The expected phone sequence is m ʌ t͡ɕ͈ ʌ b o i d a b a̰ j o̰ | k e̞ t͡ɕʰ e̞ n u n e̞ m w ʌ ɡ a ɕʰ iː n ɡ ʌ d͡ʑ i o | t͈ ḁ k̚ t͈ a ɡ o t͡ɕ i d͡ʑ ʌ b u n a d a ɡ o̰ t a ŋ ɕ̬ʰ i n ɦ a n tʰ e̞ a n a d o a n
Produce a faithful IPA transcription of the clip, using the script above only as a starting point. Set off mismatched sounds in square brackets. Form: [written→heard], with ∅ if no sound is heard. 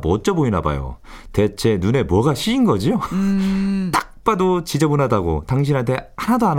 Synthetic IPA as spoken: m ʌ t͡ɕ͈ ʌ b o i [d→n] a b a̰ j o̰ | [k→t] e̞ t͡ɕʰ e̞ n u n e̞ m w ʌ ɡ a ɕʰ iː n ɡ ʌ d͡ʑ i o | t͈ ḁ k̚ [t͈→p͈] a [ɡ→d] o t͡ɕ i d͡ʑ ʌ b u n a d a ɡ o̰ t a ŋ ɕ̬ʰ i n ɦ a n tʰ e̞ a n a d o a n